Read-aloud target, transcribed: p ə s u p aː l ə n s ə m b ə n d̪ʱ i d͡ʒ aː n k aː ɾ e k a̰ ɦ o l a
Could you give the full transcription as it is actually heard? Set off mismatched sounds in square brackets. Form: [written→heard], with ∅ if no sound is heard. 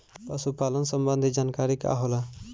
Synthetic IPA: p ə s u p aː l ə n s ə m b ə n d̪ʱ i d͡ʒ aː n k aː ɾ [e→i] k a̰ ɦ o l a